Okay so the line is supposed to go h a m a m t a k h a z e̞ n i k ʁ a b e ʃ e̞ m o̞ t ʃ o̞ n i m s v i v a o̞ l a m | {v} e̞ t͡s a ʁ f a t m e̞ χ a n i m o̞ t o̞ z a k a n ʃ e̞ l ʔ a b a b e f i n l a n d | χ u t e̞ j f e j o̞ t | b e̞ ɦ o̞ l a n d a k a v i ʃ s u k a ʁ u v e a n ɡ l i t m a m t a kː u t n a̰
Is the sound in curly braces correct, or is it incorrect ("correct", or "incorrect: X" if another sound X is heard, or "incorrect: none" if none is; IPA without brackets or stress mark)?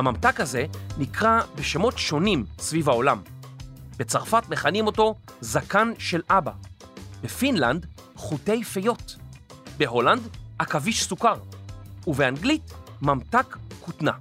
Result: incorrect: b